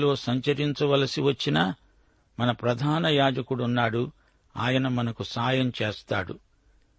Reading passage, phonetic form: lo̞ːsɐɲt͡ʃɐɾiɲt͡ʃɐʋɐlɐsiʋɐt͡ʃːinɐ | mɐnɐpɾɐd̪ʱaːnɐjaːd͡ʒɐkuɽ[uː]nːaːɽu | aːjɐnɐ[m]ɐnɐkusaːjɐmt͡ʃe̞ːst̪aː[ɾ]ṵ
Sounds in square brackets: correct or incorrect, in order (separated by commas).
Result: incorrect, correct, incorrect